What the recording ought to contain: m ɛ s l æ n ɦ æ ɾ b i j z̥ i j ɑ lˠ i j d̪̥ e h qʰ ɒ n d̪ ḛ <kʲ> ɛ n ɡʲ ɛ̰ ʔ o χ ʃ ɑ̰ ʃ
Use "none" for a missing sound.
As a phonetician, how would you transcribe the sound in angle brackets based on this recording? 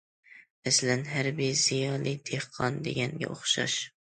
ɡʲ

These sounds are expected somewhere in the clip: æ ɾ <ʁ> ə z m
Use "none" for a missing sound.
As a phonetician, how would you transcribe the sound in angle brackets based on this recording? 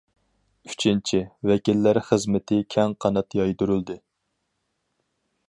χ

